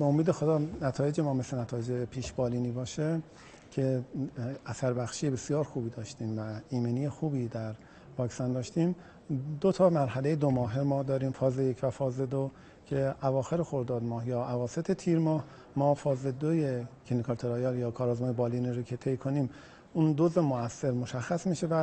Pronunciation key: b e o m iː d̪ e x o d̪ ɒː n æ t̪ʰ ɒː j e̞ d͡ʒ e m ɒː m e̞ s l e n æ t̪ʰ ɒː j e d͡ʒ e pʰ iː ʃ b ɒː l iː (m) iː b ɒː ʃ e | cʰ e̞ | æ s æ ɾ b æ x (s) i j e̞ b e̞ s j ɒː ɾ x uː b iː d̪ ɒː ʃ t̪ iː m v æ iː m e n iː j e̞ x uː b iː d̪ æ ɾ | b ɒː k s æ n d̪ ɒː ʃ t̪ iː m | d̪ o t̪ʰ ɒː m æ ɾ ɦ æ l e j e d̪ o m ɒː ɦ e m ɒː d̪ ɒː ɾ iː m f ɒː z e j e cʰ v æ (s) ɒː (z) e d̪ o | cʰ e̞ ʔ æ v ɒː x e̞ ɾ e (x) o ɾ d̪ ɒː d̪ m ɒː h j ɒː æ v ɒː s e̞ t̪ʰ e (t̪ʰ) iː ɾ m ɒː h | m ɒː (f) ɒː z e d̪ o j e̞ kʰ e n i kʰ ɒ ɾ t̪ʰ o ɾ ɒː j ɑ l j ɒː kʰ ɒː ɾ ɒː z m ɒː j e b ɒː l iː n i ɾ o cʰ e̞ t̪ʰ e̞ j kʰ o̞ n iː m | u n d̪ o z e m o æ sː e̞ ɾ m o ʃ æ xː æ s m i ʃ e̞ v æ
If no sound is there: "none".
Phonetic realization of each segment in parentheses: n, ʃ, f, z, x, t̪ʰ, f

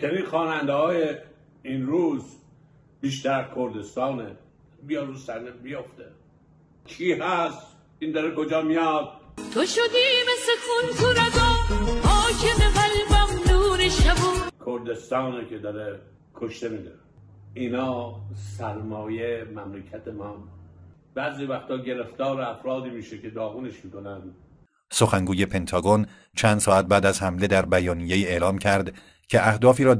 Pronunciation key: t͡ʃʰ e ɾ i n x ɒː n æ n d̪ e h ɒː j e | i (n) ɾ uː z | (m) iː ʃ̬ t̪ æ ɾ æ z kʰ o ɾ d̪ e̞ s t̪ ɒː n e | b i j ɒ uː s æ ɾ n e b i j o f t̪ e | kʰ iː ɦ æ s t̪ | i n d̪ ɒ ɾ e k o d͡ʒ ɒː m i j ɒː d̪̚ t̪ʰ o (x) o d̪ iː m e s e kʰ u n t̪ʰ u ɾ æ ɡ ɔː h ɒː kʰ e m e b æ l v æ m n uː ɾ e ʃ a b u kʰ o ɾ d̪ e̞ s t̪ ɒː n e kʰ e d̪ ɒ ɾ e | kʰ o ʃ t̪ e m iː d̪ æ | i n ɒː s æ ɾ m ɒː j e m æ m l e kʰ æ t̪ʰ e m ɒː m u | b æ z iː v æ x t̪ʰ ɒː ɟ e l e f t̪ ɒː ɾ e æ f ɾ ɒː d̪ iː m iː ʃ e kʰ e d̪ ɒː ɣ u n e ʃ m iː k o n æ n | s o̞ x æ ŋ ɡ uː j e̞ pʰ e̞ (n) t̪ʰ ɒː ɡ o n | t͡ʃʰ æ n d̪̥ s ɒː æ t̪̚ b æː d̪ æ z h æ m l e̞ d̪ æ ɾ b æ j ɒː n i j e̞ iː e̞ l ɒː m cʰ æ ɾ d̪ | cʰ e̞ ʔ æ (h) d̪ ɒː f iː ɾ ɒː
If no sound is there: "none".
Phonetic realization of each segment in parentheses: n, b, ʃ, n, h

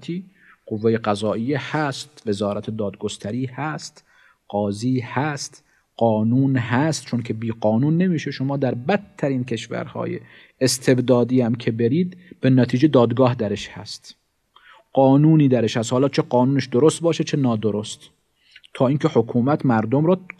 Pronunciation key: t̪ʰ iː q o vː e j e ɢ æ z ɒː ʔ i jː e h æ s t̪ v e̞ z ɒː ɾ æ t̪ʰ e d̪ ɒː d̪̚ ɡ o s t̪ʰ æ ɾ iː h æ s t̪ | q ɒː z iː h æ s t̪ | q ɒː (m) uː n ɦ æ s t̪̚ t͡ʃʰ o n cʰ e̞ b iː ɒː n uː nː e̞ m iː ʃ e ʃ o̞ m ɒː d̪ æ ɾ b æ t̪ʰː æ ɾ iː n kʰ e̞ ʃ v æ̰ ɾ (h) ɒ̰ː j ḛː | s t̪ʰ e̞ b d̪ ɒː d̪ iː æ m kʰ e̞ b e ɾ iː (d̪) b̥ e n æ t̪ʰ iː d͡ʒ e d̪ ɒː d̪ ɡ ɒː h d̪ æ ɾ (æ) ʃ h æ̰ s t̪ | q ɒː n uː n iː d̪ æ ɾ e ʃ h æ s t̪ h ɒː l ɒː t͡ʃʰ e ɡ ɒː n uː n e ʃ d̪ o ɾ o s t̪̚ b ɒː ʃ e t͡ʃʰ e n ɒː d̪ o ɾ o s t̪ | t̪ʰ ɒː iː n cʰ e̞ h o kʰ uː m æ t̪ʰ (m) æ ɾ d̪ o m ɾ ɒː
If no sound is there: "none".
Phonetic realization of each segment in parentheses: n, h, d̪, e, m

